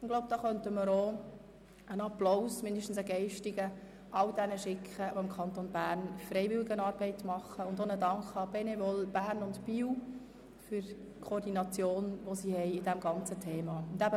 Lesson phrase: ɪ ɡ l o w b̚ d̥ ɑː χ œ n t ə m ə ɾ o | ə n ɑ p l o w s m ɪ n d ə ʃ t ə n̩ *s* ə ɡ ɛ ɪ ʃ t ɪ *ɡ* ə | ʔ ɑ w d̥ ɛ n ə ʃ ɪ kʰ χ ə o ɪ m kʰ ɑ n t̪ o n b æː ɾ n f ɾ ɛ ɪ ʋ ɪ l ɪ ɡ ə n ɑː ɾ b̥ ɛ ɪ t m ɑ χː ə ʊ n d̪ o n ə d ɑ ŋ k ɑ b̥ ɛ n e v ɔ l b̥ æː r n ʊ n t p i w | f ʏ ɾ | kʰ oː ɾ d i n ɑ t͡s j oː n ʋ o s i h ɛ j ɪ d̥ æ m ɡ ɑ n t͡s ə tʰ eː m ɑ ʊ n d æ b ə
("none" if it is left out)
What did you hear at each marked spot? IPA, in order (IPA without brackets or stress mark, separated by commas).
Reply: s, ɡ